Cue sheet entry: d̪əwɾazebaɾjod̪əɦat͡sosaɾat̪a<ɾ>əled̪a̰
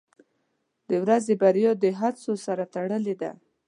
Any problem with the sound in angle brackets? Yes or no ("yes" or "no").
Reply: yes